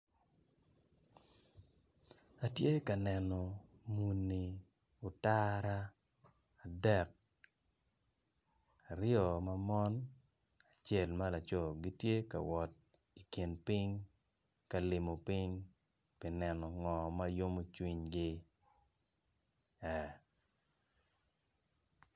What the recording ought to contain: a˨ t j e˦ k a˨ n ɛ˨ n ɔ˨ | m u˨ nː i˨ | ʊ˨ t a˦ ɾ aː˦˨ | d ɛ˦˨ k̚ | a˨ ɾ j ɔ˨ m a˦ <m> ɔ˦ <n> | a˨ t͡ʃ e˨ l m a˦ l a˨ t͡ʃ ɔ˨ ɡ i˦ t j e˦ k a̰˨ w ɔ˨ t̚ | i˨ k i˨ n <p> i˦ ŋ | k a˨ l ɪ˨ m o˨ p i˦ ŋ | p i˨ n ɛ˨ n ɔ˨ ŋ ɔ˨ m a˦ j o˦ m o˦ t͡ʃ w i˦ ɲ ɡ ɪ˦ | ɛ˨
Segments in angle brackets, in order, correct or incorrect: correct, correct, correct

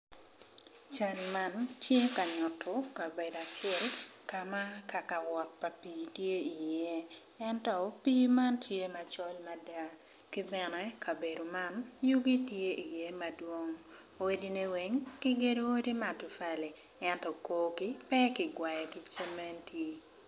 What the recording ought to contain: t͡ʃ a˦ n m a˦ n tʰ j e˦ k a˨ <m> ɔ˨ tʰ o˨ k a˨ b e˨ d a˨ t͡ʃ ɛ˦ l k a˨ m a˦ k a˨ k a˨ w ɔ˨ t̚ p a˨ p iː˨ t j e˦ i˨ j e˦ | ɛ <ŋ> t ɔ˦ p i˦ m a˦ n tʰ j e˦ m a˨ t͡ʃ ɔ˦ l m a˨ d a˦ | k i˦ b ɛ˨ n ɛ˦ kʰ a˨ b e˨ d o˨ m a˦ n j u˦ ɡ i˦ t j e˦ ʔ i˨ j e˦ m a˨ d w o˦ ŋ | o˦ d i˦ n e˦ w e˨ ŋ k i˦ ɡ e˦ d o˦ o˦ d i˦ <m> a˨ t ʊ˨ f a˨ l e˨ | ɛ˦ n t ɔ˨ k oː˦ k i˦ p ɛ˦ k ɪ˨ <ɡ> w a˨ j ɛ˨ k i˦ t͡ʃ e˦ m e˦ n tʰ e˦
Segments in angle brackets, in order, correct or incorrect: incorrect: ɲ, incorrect: n, correct, correct

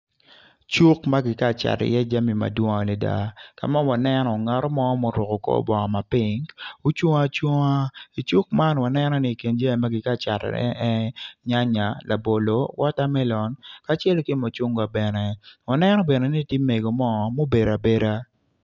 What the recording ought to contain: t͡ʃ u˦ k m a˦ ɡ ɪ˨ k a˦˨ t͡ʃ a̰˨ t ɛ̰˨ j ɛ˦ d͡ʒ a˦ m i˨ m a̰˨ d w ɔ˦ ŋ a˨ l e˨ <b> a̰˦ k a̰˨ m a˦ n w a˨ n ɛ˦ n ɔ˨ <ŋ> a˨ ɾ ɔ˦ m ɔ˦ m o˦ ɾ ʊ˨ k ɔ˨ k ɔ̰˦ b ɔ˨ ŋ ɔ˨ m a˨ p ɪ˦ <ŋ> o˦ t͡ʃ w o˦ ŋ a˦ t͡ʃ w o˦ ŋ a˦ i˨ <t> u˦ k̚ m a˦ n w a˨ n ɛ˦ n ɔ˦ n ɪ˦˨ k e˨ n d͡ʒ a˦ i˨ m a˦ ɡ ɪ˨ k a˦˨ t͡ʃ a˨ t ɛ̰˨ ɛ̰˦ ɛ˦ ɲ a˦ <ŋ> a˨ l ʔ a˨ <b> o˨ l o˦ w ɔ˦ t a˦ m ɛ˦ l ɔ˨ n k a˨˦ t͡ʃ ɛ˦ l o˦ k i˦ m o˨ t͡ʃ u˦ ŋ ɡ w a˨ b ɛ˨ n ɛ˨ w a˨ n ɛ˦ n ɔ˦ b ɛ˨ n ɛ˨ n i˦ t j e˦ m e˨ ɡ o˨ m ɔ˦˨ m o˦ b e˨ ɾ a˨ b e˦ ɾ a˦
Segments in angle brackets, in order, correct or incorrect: incorrect: d, correct, correct, incorrect: t͡ʃ, incorrect: ɲ, correct

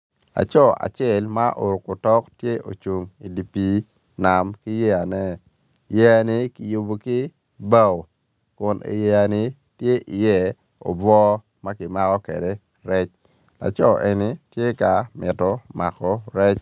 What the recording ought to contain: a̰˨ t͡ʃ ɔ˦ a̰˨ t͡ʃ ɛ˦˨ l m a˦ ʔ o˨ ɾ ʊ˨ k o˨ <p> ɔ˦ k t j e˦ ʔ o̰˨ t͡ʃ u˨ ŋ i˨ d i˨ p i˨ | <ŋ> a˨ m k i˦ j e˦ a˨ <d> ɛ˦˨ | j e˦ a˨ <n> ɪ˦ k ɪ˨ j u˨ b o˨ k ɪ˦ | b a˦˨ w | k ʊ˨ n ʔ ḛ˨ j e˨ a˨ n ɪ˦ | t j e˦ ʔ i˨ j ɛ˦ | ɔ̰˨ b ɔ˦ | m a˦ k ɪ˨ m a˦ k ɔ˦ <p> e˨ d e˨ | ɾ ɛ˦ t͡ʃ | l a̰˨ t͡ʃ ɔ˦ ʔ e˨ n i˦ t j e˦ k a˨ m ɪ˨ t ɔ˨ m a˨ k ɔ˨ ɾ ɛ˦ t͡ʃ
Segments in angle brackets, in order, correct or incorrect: incorrect: t, incorrect: n, incorrect: n, correct, incorrect: k

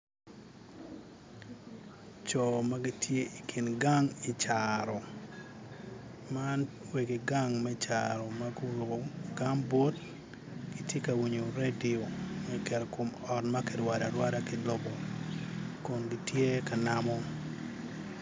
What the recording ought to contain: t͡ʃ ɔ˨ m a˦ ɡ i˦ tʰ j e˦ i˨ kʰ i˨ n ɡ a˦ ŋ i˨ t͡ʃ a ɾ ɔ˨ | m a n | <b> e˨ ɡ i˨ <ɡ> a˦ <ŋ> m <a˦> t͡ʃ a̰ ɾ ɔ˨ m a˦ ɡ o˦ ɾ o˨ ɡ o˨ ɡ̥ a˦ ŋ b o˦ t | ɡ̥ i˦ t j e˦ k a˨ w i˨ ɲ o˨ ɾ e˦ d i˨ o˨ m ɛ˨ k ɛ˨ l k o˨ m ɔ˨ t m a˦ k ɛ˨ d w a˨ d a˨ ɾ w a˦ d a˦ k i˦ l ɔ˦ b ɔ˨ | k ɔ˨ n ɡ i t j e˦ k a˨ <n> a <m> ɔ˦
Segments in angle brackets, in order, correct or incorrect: incorrect: w, correct, correct, incorrect: ɛ˦, correct, correct

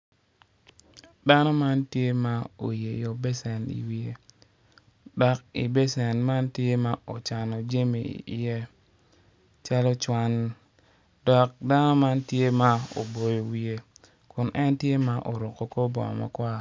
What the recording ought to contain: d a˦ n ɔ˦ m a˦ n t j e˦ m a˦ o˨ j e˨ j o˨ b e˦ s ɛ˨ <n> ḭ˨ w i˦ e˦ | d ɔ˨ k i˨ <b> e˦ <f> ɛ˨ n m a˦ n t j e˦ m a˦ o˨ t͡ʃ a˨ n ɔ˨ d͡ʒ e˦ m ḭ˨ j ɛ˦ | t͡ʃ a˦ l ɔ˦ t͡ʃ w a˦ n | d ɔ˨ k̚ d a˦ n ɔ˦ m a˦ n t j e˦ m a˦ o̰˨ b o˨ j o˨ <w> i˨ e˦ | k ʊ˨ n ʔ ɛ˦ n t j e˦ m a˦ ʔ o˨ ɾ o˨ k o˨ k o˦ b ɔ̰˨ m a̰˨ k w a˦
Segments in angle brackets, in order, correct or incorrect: correct, correct, incorrect: s, correct

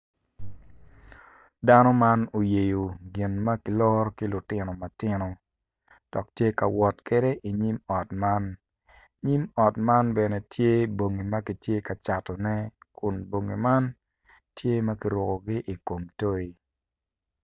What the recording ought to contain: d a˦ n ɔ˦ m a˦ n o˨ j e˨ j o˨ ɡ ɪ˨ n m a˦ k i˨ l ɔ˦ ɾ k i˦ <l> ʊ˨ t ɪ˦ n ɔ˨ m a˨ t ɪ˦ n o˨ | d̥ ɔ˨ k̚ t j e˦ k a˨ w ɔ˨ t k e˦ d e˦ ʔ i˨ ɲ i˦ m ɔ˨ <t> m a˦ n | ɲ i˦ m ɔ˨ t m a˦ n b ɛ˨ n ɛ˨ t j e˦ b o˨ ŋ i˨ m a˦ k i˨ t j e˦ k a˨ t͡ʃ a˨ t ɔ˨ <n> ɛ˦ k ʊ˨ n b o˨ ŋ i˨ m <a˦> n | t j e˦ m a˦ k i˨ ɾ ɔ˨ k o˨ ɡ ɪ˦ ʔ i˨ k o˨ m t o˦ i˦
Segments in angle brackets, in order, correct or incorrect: correct, correct, correct, correct

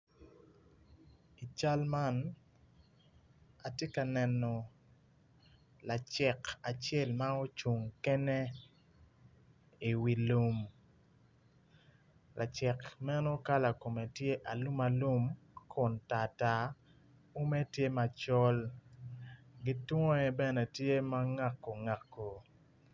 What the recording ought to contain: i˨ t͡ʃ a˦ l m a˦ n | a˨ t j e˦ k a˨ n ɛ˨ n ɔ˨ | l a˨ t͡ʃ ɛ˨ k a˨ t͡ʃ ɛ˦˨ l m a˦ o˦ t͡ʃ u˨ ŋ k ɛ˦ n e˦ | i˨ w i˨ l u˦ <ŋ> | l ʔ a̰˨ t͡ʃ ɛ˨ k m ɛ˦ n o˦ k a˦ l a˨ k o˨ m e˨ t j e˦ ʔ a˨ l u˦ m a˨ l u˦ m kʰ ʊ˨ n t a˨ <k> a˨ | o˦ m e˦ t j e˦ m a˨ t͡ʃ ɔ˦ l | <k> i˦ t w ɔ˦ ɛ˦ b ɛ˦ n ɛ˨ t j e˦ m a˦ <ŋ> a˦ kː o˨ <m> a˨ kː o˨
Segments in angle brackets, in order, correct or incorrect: incorrect: m, incorrect: t, incorrect: ɡ, correct, incorrect: ŋ

